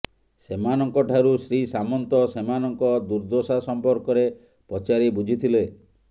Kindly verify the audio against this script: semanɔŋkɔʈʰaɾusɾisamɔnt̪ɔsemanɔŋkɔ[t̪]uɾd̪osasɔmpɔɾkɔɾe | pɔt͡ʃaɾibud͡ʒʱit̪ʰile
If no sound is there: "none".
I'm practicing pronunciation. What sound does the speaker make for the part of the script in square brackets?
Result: d̪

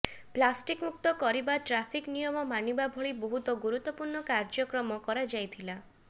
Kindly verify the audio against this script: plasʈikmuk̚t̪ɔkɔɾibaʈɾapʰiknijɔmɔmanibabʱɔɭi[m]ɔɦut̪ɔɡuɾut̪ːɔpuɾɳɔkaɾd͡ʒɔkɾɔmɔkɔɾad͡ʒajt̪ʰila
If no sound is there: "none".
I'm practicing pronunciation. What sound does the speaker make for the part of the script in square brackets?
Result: b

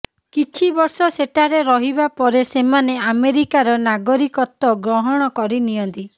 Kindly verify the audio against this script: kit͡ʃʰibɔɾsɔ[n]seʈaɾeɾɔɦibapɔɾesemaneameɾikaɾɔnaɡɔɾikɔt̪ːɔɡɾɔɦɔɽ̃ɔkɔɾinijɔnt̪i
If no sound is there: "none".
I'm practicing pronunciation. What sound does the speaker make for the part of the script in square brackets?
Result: none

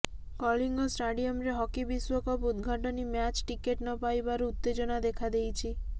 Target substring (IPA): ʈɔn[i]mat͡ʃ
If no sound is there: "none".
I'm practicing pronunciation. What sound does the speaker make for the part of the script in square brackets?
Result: i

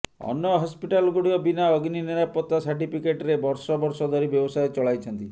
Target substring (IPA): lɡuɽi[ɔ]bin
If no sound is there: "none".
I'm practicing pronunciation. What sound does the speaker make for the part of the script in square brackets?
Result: ɔ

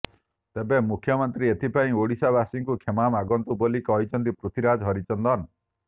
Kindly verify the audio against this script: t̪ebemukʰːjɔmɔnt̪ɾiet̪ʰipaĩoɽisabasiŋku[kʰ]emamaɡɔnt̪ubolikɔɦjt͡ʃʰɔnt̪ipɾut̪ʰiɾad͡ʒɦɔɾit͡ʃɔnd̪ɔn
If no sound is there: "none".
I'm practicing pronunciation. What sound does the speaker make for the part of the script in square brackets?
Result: kʰ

